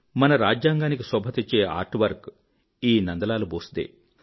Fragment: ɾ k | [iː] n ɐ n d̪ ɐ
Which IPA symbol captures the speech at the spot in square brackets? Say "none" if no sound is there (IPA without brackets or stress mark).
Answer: iː